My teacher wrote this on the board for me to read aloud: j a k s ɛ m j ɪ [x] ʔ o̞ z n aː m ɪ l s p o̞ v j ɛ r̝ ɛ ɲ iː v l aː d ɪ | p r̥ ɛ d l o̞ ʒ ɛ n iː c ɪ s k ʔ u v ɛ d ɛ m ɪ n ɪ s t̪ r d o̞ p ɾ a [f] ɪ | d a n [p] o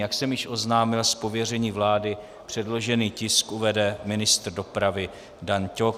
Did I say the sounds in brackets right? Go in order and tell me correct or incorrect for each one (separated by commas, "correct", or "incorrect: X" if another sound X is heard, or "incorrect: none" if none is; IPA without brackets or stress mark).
incorrect: ʃ, incorrect: v, incorrect: c